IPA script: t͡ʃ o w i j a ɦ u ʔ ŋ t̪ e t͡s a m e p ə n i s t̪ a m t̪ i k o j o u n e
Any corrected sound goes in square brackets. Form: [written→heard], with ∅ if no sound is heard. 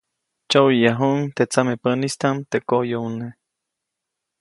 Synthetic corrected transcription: t͡ʃ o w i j a ɦ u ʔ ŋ t̪ e t͡s a m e p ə n i s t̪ a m t̪ [i→e] k o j o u n e